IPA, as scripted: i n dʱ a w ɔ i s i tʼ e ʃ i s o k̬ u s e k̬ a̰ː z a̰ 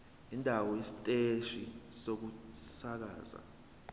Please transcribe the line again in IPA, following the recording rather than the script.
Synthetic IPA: i n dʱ a w ɔ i s i tʼ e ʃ i s o k̬ u s a k̬ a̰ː z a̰